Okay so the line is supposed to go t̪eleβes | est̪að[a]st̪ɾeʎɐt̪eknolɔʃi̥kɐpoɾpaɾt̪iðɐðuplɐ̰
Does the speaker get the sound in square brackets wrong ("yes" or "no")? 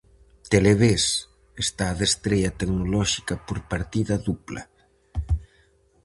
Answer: yes